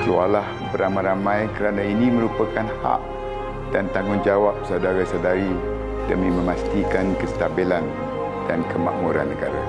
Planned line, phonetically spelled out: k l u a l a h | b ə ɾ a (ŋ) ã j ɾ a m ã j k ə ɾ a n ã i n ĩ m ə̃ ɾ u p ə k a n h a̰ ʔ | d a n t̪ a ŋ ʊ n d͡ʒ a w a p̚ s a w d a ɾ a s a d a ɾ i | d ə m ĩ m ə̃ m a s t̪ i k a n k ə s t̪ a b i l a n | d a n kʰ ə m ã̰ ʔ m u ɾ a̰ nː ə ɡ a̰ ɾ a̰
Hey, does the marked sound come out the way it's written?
no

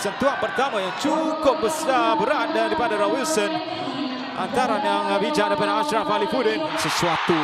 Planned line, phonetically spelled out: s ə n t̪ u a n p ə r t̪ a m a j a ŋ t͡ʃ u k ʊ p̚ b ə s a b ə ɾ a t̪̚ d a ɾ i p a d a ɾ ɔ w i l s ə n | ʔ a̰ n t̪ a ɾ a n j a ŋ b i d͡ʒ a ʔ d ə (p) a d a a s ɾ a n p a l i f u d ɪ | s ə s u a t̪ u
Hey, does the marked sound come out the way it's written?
yes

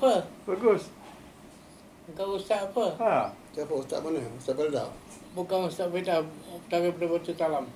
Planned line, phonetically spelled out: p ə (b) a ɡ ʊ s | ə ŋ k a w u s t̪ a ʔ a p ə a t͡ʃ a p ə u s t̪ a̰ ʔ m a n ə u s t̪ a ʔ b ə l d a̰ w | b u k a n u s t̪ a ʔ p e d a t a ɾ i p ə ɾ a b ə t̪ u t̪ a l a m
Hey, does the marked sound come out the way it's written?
yes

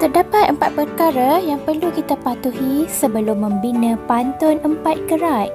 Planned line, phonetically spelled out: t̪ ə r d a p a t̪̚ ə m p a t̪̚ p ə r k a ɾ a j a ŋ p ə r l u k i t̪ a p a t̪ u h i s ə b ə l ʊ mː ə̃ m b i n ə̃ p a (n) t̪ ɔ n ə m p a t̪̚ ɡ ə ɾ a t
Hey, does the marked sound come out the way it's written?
yes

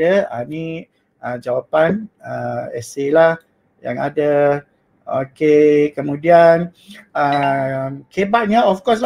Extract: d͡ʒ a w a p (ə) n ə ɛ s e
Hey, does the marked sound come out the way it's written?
no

